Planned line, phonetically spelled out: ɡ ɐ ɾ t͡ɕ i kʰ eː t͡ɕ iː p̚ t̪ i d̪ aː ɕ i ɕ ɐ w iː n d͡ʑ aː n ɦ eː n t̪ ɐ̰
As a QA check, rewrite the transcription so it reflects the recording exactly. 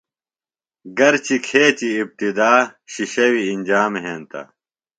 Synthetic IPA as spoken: ɡ ɐ ɾ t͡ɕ i kʰ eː t͡ɕ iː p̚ t̪ i d̪ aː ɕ i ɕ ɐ w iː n d͡ʑ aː m ɦ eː n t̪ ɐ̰